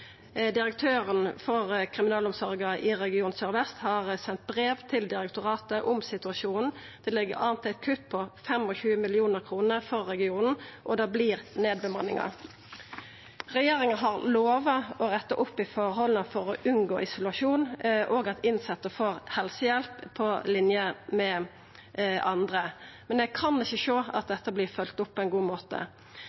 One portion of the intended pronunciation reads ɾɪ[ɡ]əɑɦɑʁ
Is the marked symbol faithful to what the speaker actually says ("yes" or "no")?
no